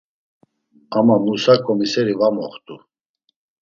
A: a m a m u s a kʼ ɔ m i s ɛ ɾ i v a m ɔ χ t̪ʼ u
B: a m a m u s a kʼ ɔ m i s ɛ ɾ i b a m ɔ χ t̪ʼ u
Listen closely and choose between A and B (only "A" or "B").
A